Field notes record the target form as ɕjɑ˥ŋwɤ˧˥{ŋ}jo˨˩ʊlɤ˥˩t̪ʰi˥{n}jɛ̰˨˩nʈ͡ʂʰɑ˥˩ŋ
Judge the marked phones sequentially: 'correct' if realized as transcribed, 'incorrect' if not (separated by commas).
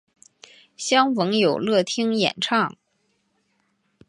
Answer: correct, incorrect